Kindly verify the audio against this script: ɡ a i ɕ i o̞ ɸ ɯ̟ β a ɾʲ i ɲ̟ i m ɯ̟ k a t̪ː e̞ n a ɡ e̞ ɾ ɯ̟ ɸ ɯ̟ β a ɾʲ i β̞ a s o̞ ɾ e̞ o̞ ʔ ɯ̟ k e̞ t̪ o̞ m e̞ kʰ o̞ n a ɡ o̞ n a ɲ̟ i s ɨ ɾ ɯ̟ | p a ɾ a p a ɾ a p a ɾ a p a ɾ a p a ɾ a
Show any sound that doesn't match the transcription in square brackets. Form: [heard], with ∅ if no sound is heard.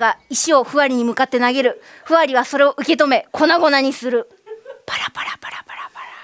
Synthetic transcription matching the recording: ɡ a i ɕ i o̞ ɸ ɯ̟ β a ɾʲ i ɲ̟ i m ɯ̟ k a t̪ː e̞ n a ɡ e̞ ɾ ɯ̟ ɸ ɯ̟ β a ɾʲ i β̞ a s o̞ ɾ e̞ o̞ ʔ ɯ̟ k e̞ t̪ o̞ m e̞ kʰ o̞ n a ɡ o̞ n a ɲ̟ i s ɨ ɾ ɯ̟ | p a ɾ a p a ɾ a p a ɾ a p a ɾ a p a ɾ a

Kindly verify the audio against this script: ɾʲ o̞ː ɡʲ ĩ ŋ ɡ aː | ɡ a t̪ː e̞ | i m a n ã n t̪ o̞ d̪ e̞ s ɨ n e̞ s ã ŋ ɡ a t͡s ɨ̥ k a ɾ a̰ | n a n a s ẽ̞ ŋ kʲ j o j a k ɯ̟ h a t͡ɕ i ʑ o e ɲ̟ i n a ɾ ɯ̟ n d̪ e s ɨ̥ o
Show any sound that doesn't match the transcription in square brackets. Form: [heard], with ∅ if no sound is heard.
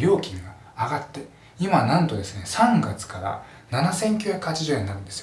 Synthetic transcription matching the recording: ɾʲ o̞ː [kʲ] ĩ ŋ ɡ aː | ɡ a t̪ː e̞ | i m a n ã n t̪ o̞ d̪ e̞ s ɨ n e̞ s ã ŋ ɡ a t͡s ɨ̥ k a ɾ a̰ | n a n a s ẽ̞ ŋ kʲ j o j a k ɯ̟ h a t͡ɕ i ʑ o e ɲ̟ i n a ɾ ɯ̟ n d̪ e s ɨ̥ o

